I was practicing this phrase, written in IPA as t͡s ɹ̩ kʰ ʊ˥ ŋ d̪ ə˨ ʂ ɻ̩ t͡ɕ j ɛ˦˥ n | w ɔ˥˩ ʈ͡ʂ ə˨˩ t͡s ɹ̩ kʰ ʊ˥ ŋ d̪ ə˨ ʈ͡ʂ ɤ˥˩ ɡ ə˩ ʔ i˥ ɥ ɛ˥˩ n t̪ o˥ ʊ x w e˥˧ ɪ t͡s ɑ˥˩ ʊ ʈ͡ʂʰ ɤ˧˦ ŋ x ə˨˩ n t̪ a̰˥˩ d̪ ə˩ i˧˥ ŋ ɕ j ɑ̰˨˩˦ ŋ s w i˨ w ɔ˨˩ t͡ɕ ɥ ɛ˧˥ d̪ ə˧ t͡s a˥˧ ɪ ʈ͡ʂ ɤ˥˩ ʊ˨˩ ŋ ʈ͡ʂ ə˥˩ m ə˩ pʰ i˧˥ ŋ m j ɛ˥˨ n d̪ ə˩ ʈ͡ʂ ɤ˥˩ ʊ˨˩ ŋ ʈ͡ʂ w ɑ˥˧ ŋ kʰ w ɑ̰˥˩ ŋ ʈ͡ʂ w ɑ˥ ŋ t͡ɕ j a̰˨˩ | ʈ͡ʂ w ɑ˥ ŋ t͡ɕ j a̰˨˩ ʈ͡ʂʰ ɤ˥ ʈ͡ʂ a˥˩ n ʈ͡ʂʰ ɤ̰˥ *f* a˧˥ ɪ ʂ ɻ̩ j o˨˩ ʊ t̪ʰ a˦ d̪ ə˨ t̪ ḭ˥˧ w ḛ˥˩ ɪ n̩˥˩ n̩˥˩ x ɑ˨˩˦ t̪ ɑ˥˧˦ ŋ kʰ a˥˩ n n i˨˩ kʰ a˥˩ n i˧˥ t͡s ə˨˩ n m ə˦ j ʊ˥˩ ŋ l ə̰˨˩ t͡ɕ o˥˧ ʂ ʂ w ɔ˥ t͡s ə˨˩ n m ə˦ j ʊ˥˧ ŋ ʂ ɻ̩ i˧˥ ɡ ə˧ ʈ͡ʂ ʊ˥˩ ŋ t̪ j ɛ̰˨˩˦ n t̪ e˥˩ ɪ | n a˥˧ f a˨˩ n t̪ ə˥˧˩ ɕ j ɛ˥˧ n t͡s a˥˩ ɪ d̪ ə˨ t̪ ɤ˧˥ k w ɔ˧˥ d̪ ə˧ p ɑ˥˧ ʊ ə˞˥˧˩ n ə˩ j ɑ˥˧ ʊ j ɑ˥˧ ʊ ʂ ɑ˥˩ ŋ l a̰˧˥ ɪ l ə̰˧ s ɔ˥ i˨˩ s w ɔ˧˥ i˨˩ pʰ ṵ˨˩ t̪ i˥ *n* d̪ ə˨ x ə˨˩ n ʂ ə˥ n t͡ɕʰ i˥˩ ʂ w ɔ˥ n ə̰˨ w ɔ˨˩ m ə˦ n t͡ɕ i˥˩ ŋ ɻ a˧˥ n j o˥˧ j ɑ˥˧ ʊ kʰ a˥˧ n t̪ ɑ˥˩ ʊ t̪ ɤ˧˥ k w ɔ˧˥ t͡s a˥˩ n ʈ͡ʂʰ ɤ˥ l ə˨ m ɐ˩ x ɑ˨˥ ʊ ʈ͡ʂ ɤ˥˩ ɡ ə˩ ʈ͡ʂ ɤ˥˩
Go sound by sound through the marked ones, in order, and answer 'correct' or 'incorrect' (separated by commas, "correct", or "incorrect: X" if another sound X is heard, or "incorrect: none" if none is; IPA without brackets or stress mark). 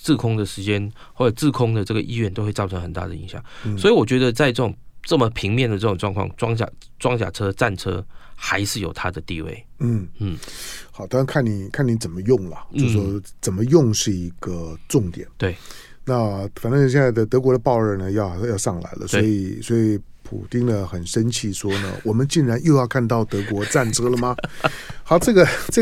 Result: incorrect: x, incorrect: ŋ